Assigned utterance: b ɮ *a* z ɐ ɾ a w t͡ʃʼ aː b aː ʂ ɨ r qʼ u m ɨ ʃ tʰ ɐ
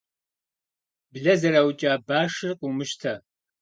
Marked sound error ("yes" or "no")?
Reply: yes